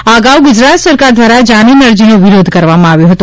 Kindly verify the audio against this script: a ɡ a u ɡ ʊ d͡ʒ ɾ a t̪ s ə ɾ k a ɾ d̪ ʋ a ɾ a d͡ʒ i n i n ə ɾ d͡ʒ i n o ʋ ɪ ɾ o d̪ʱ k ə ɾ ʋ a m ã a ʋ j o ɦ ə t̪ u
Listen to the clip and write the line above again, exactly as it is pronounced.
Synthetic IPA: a ɡ a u ɡ ʊ d͡ʒ ɾ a t̪ s ə ɾ k a ɾ d̪ ʋ a ɾ a d͡ʒ a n i n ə ɾ d͡ʒ i n o ʋ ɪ ɾ o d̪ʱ k ə ɾ ʋ a m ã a ʋ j o ɦ ə t̪ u